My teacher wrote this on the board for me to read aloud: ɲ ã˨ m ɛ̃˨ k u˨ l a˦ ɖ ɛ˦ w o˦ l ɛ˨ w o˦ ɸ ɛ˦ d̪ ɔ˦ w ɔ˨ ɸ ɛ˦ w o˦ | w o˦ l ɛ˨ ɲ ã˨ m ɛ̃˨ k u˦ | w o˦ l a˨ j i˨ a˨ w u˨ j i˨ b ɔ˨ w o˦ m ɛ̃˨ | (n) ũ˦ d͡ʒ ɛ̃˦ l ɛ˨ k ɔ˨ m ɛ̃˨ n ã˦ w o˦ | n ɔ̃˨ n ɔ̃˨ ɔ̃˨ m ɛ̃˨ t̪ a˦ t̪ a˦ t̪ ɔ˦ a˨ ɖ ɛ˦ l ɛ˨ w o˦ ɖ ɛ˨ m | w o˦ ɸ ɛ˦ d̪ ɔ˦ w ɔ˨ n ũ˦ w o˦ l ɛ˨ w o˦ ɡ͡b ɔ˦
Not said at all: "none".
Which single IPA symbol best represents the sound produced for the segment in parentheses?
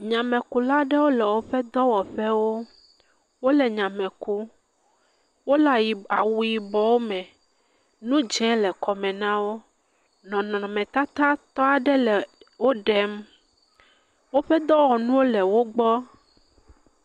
n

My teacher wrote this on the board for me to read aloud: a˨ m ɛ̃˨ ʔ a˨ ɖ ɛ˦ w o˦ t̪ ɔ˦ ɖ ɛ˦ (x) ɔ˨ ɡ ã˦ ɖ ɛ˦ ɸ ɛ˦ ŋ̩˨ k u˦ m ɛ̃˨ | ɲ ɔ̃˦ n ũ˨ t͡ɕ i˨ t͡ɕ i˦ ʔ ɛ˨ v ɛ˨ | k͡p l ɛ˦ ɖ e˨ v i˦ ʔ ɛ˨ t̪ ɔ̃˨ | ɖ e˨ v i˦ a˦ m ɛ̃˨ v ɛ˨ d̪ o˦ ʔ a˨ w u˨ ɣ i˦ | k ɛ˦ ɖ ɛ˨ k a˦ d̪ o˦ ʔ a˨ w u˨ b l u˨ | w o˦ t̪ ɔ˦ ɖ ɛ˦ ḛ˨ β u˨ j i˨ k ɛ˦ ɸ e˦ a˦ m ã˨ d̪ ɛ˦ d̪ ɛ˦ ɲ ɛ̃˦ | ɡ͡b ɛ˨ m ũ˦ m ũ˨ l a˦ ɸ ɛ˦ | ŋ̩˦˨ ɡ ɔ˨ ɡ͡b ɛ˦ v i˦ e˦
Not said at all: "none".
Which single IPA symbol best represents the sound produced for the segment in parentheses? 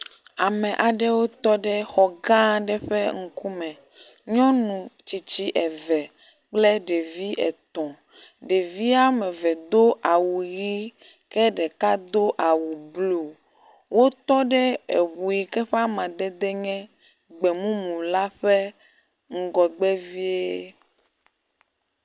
x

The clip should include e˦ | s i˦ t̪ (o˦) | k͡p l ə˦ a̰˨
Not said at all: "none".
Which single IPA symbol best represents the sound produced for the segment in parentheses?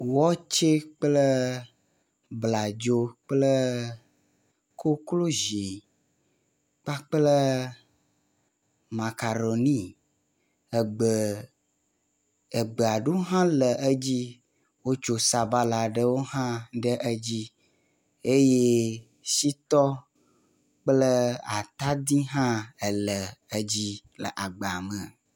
ɔ˦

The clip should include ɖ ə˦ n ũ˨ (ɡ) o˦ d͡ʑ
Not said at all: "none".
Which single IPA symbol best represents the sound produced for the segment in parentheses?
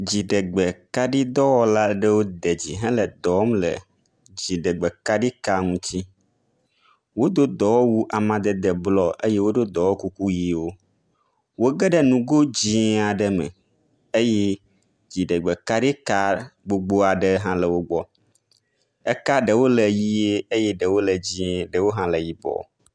ɡ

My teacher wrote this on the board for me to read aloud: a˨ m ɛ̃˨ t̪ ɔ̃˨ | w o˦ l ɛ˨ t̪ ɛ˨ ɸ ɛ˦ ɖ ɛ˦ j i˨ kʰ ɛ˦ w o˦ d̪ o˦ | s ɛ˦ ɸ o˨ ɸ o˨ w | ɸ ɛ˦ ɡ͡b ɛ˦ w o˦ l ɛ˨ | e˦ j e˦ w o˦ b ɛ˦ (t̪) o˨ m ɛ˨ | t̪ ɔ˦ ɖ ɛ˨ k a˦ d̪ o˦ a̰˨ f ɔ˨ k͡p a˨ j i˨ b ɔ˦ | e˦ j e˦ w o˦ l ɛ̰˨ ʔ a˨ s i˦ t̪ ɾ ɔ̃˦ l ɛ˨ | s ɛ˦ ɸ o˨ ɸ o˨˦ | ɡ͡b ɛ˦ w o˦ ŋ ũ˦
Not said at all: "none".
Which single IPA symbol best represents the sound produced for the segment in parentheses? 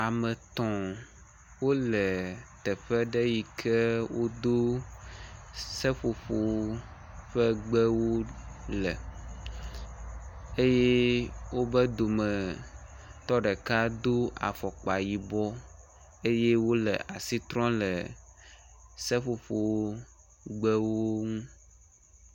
d̪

